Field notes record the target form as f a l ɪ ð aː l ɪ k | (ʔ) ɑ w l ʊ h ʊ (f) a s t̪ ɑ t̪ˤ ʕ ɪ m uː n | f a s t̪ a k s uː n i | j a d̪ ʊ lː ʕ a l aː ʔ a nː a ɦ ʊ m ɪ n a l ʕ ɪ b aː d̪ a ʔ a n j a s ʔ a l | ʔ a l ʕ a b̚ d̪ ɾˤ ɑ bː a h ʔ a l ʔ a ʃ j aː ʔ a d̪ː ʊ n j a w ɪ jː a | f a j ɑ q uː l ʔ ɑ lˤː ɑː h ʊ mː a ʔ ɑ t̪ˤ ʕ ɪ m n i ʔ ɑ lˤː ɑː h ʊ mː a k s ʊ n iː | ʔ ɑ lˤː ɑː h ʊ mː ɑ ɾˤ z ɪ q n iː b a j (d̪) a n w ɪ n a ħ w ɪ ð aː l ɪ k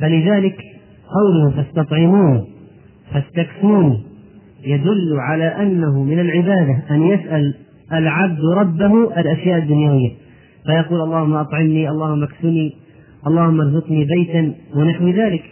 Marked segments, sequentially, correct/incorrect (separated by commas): incorrect, correct, incorrect